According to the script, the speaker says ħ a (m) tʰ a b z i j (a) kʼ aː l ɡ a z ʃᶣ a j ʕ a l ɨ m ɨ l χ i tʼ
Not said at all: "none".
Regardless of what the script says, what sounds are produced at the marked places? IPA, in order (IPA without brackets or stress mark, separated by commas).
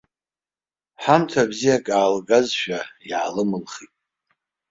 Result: m, a